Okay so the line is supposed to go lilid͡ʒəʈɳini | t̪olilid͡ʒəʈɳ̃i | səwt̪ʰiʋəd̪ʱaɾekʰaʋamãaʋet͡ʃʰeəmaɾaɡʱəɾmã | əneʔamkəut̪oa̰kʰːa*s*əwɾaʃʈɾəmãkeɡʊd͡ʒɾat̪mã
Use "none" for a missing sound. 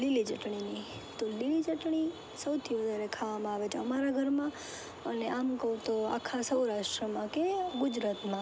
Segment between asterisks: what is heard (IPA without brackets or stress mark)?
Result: s